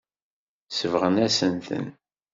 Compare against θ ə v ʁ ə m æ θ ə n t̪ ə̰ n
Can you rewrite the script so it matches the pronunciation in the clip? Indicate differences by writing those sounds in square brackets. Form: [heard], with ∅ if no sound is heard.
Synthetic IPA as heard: [s] ə v ʁ ə [n] æ [s] ə n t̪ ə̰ n

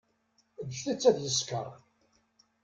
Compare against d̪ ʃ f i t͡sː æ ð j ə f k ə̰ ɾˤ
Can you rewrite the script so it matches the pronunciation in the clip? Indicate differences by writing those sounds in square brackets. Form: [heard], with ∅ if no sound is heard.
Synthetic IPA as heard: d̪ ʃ [θ] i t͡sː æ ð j ə [s] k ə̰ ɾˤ

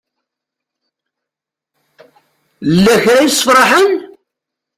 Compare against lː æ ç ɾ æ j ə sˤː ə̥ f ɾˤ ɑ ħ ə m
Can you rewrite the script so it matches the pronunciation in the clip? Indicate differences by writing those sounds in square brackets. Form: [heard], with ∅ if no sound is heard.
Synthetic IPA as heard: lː æ ç ɾ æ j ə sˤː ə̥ f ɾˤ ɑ ħ ə [n]

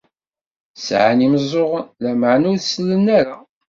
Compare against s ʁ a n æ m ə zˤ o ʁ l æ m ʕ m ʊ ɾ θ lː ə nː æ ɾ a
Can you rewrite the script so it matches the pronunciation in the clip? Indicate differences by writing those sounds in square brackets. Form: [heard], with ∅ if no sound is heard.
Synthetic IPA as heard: s [ʕ] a n [i] m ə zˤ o ʁ l æ m ʕ [n] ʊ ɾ [s] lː ə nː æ ɾ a

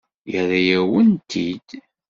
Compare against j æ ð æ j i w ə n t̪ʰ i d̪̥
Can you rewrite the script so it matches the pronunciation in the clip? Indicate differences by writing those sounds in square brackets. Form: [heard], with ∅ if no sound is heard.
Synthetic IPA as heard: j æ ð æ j [æ] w ə n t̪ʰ i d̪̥

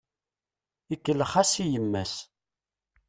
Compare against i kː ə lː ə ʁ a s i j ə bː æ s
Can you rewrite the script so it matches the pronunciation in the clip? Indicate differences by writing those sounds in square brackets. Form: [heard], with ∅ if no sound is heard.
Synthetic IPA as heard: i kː ə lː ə [χ] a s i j ə [mː] æ s

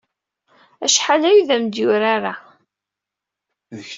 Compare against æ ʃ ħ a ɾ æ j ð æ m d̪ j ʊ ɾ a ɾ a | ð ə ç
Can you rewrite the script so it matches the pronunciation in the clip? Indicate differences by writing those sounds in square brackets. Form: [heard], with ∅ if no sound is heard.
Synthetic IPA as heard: æ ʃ ħ a [l] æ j ð æ m d̪ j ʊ ɾ a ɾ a | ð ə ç

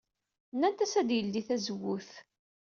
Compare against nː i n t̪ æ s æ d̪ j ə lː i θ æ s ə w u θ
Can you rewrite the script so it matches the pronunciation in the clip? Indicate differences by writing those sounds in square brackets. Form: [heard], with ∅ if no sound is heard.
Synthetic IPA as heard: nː [æ] n t̪ æ s æ d̪ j ə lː i θ æ [z] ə w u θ

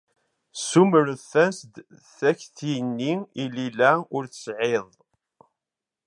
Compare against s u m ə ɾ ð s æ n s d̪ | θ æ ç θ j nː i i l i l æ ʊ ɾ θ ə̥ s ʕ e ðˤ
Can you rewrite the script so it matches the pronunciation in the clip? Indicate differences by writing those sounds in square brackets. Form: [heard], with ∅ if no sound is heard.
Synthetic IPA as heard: s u m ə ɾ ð [θ] æ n s d̪ | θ æ ç θ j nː i i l i l æ ʊ ɾ θ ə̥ s ʕ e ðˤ

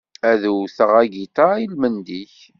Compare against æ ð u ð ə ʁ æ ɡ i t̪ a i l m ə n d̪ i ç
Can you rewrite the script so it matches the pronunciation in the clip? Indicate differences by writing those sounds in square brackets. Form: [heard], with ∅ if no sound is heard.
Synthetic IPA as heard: æ ð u [θ] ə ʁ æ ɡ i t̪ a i l m ə n d̪ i ç

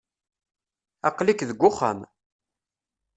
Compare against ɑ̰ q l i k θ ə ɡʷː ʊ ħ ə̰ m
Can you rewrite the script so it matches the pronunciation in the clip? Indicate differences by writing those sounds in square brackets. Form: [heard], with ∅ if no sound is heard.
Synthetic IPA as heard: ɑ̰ q l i k [ð] ə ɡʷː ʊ [χ] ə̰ m

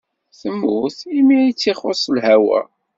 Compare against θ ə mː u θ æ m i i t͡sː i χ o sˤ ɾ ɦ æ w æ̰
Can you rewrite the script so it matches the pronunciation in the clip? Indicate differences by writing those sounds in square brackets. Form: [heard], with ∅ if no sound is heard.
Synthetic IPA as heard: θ ə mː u θ [i] m i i t͡sː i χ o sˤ [l] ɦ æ w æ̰

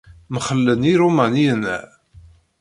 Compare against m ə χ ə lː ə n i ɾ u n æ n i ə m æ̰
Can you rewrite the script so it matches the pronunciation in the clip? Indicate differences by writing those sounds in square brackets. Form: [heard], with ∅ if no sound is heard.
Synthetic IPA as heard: m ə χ ə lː ə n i ɾ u [m] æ n i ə [n] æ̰

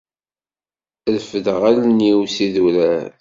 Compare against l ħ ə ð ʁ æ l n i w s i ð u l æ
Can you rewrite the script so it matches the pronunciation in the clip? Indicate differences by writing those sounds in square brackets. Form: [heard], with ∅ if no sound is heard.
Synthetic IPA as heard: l [f] ə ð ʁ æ l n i w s i ð u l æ

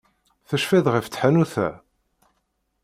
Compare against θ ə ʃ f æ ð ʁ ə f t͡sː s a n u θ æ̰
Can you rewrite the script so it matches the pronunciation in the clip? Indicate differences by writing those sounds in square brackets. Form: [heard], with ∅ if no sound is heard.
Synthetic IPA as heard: θ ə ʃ f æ ð ʁ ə f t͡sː [ħ] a n u θ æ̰

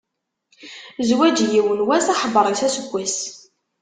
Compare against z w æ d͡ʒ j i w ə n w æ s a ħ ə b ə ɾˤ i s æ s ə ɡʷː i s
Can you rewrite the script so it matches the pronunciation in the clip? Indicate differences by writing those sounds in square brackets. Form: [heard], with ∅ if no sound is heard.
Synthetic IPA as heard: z w æ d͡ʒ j i w ə n w æ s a ħ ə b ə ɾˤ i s æ s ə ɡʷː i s

